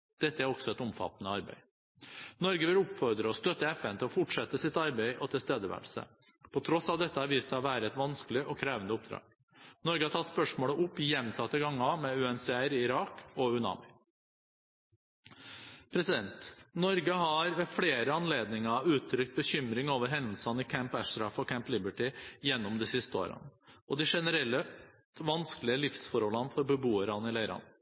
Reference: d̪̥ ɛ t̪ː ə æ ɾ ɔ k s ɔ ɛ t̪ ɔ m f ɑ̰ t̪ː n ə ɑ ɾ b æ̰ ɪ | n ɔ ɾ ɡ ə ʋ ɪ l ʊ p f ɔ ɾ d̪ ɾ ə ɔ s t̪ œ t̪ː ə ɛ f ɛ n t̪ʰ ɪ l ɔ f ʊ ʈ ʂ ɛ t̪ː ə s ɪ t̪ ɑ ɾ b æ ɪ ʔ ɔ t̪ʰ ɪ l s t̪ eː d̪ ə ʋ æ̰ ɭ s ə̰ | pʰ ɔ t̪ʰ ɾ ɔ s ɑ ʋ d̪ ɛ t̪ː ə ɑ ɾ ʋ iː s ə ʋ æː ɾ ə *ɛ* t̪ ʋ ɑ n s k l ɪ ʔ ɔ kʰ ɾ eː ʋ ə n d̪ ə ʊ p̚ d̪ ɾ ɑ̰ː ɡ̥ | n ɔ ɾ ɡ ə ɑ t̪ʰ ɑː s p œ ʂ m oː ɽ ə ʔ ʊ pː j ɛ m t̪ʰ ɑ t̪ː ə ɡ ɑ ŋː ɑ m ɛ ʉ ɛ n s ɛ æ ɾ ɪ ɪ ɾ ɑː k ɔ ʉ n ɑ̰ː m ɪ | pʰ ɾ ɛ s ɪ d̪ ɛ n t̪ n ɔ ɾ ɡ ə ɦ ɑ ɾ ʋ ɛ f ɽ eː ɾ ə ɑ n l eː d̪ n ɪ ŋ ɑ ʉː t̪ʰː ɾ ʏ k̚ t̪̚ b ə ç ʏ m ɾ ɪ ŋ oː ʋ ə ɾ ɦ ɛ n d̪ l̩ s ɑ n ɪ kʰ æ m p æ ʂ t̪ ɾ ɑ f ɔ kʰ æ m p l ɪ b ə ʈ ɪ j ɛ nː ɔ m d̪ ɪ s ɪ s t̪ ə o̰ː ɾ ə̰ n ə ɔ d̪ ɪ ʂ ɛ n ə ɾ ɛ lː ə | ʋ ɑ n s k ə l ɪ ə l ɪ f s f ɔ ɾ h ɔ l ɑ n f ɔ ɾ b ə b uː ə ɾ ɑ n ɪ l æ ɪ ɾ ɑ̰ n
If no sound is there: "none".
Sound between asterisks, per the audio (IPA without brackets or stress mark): ɛ